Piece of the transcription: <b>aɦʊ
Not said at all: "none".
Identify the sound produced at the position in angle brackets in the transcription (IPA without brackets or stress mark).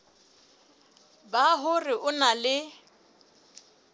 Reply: b